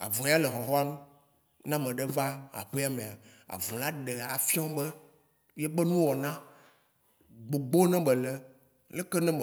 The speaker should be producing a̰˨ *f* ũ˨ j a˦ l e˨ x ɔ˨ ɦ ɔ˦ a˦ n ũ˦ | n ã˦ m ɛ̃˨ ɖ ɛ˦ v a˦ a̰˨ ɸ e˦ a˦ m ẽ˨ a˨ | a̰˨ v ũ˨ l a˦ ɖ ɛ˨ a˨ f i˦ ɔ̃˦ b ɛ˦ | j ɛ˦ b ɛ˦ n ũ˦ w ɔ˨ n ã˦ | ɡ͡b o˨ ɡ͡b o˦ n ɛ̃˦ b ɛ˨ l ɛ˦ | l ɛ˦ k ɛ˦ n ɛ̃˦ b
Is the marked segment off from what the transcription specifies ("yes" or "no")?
yes